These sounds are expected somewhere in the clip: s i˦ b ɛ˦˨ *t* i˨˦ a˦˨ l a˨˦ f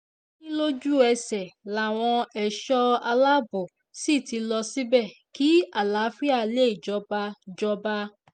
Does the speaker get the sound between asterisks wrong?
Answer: yes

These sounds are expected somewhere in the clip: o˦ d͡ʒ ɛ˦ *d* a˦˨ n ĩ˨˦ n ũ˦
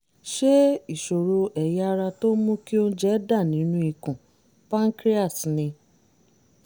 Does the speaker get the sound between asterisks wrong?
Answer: no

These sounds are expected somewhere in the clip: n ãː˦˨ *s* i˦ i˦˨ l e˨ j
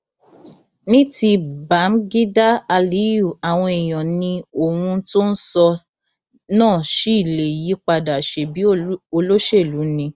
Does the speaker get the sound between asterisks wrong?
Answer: yes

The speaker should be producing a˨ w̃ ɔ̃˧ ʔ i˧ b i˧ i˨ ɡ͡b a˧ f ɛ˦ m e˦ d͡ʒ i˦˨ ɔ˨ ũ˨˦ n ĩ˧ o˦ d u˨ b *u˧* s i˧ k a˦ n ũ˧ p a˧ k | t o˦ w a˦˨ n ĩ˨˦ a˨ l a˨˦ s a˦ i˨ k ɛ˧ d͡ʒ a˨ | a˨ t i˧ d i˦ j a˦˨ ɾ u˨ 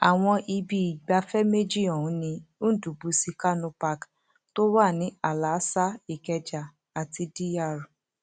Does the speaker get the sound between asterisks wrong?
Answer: no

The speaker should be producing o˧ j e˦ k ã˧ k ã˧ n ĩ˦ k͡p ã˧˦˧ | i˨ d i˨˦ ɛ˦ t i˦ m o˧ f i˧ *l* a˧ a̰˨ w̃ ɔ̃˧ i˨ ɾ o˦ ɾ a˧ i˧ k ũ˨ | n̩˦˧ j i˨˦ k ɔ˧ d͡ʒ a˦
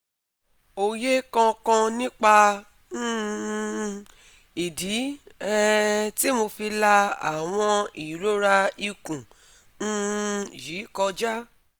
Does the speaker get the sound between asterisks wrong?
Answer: no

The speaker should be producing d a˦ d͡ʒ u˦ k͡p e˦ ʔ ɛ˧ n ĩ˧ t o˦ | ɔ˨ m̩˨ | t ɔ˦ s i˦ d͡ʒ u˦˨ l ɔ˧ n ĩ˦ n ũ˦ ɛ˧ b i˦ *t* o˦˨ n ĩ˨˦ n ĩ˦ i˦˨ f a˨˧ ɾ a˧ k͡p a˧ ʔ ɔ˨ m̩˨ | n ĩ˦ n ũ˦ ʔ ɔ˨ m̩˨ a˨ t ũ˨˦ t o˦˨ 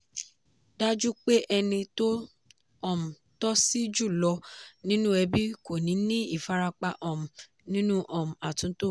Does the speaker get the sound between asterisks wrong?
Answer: yes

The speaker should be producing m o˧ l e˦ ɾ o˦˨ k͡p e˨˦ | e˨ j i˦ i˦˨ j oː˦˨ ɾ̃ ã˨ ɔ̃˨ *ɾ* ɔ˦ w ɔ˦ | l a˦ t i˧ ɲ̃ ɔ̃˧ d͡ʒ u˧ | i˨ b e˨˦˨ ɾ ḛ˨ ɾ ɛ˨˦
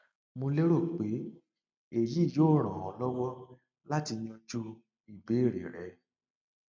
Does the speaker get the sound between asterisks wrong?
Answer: yes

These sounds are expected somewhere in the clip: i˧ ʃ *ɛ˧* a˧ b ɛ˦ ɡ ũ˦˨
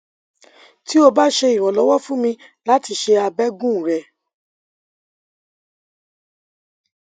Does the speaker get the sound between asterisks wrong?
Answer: yes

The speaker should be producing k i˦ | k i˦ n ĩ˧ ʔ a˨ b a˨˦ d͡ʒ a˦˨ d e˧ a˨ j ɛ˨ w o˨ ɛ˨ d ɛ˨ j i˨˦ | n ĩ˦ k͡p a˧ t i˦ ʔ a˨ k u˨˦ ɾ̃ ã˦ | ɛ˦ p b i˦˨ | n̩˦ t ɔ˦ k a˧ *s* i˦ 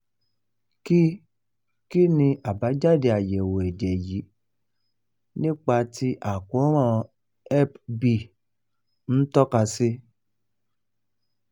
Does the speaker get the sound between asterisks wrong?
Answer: no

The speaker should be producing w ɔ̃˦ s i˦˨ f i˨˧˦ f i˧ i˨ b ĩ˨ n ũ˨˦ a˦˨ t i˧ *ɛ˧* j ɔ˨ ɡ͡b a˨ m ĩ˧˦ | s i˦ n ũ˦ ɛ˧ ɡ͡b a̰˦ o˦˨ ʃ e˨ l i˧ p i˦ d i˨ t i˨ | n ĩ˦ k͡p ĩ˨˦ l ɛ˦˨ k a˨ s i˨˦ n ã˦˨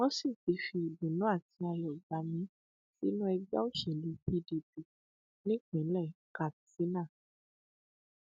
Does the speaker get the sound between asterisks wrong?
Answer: yes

